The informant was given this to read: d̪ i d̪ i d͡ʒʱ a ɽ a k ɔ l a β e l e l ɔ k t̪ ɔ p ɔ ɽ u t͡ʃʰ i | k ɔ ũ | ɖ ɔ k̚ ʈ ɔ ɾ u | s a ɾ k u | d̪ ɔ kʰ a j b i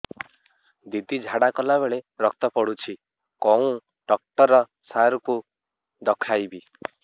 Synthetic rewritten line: d̪ i d̪ i d͡ʒʱ a ɽ a k ɔ l a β e ɭ e ɾ ɔ k t̪ ɔ p ɔ ɽ u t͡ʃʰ i | k ɔ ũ | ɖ ɔ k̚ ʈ ɔ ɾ ɔ | s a ɾ k u | d̪ ɔ kʰ a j b i